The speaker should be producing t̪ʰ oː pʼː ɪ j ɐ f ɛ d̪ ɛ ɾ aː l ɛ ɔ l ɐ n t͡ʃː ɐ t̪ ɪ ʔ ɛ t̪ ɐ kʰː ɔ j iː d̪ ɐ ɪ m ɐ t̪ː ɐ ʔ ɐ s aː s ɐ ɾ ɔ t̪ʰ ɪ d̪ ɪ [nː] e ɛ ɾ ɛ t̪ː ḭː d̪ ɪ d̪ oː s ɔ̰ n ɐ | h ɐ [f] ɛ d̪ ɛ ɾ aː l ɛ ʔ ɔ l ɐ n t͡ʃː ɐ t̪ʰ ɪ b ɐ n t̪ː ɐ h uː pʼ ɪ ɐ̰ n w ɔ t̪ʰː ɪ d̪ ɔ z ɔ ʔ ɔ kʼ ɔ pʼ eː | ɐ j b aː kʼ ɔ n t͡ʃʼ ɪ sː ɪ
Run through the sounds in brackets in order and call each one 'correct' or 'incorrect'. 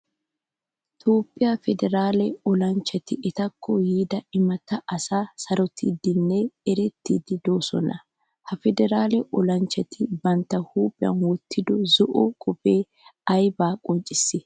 correct, correct

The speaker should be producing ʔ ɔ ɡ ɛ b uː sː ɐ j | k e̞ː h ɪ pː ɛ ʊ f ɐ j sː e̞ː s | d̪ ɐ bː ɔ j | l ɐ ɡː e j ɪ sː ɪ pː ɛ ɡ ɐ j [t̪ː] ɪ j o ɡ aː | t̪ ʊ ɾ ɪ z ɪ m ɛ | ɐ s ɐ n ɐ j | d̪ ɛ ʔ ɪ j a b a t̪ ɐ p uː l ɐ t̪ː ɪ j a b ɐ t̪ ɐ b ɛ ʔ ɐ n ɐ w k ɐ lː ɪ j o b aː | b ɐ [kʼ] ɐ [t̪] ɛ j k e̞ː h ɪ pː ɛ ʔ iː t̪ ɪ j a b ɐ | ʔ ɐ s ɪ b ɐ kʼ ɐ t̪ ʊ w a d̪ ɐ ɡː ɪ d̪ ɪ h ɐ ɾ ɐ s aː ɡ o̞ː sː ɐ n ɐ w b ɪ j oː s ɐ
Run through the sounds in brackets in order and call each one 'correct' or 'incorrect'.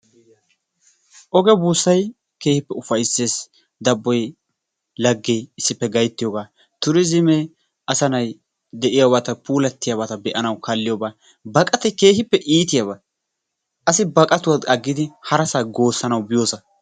correct, correct, correct

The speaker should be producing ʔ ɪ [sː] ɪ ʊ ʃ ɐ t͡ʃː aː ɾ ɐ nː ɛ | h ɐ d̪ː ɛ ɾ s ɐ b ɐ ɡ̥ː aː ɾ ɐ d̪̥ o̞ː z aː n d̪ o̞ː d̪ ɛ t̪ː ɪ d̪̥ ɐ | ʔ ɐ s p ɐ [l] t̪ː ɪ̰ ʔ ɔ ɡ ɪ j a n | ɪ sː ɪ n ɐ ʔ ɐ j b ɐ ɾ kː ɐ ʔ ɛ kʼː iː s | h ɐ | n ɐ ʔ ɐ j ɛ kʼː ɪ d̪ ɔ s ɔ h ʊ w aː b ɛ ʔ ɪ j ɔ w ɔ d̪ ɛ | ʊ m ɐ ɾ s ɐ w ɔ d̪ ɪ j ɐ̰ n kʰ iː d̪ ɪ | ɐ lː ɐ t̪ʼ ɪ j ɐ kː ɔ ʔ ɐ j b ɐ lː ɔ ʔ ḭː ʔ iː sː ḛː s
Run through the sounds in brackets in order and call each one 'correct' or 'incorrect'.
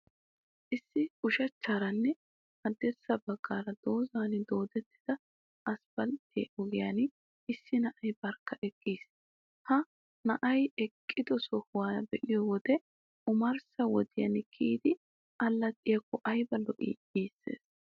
correct, correct

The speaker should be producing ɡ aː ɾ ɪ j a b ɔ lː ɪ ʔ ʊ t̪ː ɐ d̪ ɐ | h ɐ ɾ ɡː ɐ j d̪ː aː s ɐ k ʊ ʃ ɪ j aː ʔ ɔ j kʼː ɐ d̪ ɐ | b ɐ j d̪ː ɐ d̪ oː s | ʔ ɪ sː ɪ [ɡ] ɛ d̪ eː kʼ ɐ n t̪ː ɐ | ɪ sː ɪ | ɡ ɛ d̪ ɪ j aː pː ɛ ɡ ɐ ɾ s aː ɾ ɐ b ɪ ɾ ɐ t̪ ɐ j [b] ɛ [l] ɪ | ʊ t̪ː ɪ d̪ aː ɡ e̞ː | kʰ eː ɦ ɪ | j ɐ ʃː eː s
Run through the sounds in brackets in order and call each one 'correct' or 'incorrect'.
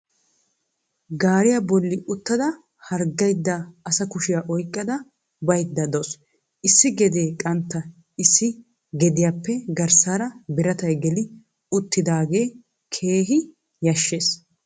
correct, incorrect, correct

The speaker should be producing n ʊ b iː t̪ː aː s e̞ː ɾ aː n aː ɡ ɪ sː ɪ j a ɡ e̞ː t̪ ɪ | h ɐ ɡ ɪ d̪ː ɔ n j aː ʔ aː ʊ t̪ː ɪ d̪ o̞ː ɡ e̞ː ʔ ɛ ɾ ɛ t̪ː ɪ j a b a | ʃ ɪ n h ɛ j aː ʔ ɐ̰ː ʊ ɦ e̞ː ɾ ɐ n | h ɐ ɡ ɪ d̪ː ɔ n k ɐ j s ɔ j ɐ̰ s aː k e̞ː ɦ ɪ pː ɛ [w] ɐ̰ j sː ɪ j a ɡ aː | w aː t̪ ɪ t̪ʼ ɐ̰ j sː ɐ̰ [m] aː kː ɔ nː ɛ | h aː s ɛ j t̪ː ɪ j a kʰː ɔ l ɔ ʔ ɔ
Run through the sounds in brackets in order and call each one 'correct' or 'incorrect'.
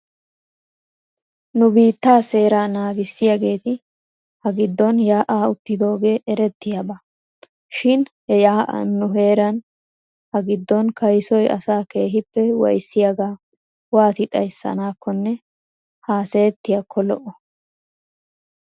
correct, incorrect

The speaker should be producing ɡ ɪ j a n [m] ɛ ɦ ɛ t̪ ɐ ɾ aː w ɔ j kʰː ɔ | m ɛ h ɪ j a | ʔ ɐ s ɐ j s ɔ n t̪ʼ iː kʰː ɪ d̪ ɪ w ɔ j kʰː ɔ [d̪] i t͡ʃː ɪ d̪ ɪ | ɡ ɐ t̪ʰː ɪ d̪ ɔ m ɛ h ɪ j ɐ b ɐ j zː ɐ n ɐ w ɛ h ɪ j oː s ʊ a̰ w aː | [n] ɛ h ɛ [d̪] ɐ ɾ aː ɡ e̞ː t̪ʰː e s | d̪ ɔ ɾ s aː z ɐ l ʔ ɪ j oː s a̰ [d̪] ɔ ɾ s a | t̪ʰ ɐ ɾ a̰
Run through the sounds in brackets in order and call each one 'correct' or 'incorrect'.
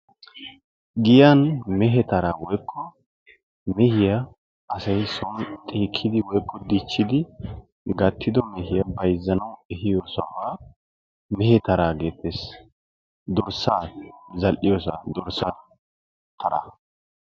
correct, correct, incorrect, incorrect, correct

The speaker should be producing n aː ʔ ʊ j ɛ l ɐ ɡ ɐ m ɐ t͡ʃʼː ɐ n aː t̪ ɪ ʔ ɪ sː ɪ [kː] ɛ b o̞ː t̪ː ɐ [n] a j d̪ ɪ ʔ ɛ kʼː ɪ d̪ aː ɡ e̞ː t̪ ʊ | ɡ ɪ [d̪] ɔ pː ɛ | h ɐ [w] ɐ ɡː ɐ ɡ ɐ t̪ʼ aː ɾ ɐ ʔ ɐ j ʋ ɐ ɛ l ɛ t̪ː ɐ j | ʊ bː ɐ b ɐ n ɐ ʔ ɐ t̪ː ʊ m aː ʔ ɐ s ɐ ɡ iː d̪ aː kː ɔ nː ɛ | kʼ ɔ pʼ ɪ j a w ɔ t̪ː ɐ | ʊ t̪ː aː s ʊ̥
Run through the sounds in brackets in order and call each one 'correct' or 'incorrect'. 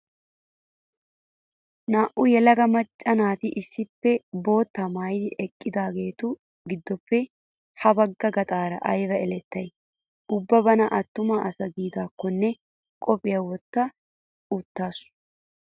incorrect, incorrect, incorrect, incorrect

